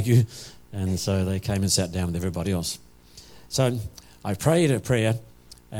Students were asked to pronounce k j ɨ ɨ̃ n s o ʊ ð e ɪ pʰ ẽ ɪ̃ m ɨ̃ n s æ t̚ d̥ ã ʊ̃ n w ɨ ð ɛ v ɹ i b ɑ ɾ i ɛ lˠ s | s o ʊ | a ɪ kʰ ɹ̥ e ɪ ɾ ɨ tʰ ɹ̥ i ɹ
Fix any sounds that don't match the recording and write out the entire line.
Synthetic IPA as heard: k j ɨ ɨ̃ n s o ʊ ð e ɪ kʰ ẽ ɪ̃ m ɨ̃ n s æ t̚ d̥ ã ʊ̃ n w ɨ ð ɛ v ɹ i b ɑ ɾ i ɛ lˠ s | s o ʊ | a ɪ pʰ ɹ̥ e ɪ ɾ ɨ pʰ ɹ̥ ɛ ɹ